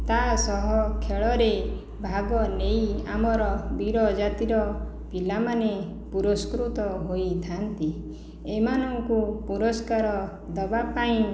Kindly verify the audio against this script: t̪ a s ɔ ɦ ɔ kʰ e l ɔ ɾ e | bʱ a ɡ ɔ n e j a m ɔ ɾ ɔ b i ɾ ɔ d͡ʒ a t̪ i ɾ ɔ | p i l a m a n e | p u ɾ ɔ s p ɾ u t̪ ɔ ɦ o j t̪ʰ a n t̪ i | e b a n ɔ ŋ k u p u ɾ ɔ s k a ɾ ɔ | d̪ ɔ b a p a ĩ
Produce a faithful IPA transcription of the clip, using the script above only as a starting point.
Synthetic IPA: t̪ a s ɔ ɦ ɔ kʰ e ɭ ɔ ɾ e | bʱ a ɡ ɔ n e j a m ɔ ɾ ɔ b i ɾ ɔ d͡ʒ a t̪ i ɾ ɔ | p i l a m a n e | p u ɾ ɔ s k ɾ u t̪ ɔ ɦ o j t̪ʰ a n t̪ i | e m a n ɔ ŋ k u p u ɾ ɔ s k a ɾ ɔ | d̪ ɔ b a p a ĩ